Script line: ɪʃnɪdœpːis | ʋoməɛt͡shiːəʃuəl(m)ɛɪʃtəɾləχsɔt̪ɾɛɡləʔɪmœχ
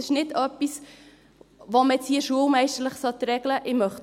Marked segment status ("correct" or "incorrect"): correct